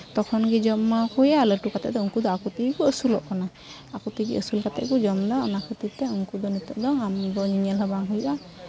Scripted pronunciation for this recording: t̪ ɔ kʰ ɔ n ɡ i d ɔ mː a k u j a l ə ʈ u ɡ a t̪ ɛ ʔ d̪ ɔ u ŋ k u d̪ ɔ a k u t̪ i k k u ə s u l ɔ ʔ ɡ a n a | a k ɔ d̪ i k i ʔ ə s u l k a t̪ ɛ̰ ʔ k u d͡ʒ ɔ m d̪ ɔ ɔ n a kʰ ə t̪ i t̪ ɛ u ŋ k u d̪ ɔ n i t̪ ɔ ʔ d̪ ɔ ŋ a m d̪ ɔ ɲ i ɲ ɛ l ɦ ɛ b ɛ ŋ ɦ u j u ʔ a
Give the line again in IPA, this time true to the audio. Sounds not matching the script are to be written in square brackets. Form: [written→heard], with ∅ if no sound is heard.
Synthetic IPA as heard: t̪ ɔ kʰ ɔ n ɡ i [d→d͡ʒ] ɔ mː a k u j a l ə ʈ u [ɡ→k] a t̪ ɛ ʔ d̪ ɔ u ŋ k u d̪ ɔ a k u t̪ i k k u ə s u l ɔ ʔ [ɡ→k] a n a | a k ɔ [d̪→t̪] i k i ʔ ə s u l k a t̪ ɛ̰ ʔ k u d͡ʒ ɔ m d̪ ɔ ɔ n a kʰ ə t̪ i t̪ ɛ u ŋ k u d̪ ɔ n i t̪ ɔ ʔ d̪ ɔ ŋ a m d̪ ɔ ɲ i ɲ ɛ l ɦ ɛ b [ɛ→a] ŋ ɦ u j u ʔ a

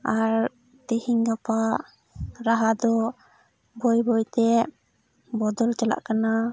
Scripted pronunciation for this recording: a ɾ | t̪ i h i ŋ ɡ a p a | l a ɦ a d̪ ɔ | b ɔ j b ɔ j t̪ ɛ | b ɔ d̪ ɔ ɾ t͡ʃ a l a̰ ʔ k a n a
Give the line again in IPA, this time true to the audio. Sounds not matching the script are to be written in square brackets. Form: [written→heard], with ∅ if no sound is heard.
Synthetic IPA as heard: a ɾ | t̪ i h i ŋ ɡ a p a | [l→ɾ] a ɦ a d̪ ɔ | b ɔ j b ɔ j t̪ ɛ | b ɔ d̪ ɔ [ɾ→l] t͡ʃ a l a̰ ʔ k a n a

